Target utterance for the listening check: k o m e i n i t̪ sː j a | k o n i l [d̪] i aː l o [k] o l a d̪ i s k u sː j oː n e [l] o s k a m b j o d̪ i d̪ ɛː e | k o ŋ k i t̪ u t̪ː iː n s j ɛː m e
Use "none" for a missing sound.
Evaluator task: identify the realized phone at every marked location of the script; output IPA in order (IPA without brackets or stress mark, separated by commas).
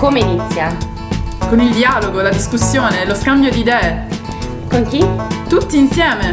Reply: d̪, ɡ, l